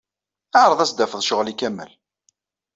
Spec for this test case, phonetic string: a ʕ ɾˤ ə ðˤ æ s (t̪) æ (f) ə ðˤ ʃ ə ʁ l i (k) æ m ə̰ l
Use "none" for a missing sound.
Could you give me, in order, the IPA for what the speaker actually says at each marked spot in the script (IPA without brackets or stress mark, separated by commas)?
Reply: d̪, f, k